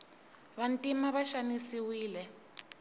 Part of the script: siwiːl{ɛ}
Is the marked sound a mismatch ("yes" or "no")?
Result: no